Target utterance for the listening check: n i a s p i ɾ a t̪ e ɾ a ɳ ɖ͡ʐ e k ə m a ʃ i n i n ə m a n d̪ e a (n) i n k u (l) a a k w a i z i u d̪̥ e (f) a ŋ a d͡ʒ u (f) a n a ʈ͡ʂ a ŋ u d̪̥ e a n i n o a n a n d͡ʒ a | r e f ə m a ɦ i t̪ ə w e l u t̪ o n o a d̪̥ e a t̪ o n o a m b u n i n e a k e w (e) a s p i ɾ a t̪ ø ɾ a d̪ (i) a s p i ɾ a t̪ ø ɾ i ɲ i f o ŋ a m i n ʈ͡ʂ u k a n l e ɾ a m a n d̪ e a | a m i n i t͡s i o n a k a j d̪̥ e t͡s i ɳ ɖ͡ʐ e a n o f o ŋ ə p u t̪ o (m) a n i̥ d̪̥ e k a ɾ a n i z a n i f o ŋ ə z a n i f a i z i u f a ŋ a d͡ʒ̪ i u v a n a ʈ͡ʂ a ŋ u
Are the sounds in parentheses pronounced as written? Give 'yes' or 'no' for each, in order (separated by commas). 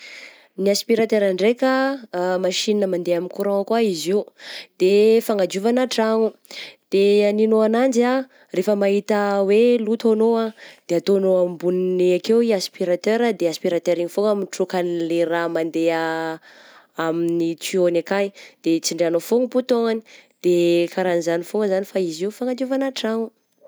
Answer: no, no, yes, no, no, no, no